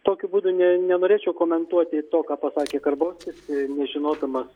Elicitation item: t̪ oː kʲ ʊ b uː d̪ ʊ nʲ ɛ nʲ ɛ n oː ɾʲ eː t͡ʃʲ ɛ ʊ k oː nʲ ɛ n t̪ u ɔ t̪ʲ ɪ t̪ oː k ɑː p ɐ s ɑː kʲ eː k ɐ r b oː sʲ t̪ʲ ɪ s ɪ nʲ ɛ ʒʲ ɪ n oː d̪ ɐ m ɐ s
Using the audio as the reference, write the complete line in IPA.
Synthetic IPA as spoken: t̪ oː kʲ ʊ b uː d̪ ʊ nʲ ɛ nʲ ɛ n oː ɾʲ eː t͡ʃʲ ɛ ʊ k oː mʲ ɛ n t̪ u ɔ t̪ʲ ɪ t̪ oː k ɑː p ɐ s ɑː kʲ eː k ɐ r b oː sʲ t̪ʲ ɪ s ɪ nʲ ɛ ʒʲ ɪ n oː d̪ ɐ m ɐ s